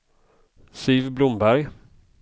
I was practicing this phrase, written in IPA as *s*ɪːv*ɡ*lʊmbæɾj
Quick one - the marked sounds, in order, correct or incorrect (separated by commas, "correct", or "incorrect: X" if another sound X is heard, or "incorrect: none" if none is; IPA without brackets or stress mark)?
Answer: correct, incorrect: b